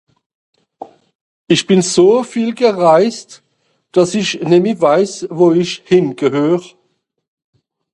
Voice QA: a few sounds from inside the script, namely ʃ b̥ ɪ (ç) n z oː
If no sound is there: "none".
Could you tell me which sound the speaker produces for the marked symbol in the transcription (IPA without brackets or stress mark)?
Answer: none